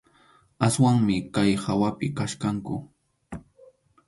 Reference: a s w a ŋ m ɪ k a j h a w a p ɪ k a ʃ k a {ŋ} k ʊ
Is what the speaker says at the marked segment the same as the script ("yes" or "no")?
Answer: yes